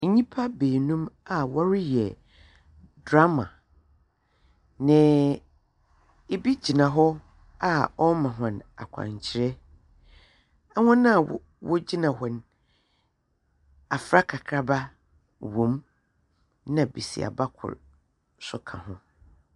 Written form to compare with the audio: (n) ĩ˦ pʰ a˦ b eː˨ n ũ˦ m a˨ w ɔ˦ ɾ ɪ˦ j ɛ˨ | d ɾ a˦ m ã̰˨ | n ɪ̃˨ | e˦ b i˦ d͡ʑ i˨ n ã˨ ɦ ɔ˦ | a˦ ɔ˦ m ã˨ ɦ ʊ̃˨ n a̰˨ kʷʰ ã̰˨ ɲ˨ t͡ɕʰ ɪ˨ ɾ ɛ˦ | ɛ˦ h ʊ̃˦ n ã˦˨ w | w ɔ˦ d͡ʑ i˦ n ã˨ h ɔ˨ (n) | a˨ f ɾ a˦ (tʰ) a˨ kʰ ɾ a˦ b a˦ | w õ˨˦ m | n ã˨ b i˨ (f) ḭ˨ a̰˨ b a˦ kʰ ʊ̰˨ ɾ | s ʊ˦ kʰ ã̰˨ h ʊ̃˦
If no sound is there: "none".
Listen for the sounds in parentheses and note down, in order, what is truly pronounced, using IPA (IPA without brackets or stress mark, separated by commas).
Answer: ɲ, n, kʰ, s